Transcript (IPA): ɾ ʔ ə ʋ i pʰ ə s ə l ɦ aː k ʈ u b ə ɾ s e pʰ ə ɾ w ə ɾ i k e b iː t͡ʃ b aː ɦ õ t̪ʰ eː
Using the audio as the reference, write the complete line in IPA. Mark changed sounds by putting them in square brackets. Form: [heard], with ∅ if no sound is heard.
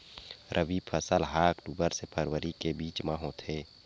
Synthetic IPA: ɾ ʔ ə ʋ i pʰ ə s ə l ɦ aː k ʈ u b ə ɾ s e pʰ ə ɾ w ə ɾ i k e b iː t͡ʃ [m] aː ɦ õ t̪ʰ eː